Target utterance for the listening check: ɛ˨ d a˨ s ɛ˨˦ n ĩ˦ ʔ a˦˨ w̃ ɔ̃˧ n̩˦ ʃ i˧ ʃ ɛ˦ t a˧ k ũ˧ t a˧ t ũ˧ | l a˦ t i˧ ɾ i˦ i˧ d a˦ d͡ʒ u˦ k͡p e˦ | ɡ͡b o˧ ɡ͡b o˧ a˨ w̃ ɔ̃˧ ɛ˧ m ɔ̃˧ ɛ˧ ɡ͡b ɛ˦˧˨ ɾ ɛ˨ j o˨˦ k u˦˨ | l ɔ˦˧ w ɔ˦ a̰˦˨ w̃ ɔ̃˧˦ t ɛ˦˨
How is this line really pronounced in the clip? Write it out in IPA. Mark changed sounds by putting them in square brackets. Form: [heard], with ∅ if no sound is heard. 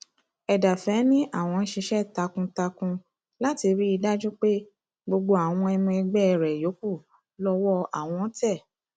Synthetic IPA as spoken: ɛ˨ d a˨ [f] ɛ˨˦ n ĩ˦ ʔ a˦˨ w̃ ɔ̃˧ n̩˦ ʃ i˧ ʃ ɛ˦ t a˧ k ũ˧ t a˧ [k] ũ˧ | l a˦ t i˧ ɾ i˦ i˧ d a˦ d͡ʒ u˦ k͡p e˦ | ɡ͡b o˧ ɡ͡b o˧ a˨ w̃ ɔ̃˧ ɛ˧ m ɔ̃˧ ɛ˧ ɡ͡b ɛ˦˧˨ ɾ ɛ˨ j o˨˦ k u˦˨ | l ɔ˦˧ w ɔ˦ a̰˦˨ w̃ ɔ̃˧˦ t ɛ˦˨